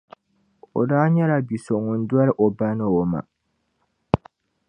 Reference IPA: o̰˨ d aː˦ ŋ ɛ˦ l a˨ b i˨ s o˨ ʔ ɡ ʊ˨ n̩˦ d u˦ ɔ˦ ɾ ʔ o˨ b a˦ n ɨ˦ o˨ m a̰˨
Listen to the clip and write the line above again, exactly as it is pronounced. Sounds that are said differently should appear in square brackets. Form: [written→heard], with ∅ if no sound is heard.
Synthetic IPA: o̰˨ d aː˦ [ŋ→ɲ] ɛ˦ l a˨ b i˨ s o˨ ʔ [ɡ→ŋ] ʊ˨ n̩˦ d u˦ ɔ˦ ɾ ʔ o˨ b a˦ n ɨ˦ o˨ m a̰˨